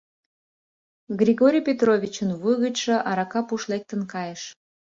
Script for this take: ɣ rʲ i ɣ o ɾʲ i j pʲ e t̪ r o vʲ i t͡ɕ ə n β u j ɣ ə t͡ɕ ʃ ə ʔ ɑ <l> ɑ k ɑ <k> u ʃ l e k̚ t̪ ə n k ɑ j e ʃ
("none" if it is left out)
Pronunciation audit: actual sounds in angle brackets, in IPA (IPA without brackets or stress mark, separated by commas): ɾ, p